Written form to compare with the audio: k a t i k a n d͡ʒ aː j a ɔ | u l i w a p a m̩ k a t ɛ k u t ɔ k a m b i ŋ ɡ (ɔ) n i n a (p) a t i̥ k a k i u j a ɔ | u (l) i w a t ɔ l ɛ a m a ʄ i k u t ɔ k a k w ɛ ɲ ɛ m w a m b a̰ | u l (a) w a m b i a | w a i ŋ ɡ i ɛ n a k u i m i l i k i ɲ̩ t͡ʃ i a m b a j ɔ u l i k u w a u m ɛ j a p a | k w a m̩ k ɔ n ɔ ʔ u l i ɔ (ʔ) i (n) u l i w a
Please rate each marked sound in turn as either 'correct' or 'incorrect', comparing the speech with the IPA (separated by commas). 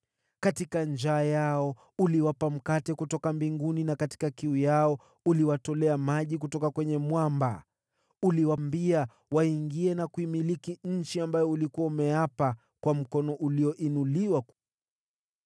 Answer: incorrect, incorrect, correct, incorrect, correct, correct